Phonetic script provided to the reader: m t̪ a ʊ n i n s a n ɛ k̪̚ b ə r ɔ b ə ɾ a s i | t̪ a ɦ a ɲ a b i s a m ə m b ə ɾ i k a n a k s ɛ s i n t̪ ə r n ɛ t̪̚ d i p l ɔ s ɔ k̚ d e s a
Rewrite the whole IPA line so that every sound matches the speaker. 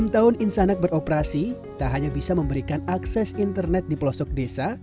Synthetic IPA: m t̪ a ʊ n i n s a n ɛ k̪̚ b ə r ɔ p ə ɾ a s i | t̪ a ɦ a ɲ a b i s a m ə m b ə ɾ i k a n a k s ɛ s i n t̪ ə r n ɛ t̪̚ d i p l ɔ s ɔ k̚ d e s a